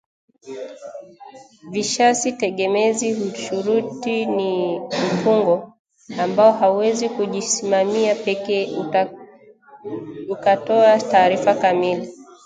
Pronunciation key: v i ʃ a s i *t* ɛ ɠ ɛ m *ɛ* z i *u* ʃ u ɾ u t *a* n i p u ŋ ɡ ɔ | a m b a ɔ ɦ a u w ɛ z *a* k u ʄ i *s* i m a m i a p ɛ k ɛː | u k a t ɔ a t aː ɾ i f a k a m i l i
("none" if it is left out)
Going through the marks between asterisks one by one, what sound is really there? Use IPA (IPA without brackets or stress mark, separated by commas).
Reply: t, ɛ, u, i, i, s